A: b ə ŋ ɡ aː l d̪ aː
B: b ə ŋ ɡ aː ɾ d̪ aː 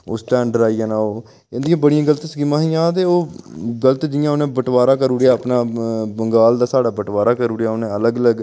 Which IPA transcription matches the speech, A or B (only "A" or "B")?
A